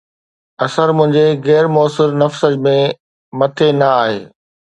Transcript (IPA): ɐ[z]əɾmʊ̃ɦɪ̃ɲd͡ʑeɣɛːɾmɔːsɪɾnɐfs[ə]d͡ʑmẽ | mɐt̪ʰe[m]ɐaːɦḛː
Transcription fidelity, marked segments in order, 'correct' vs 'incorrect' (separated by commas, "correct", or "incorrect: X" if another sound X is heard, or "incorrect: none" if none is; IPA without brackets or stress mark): incorrect: s, correct, incorrect: n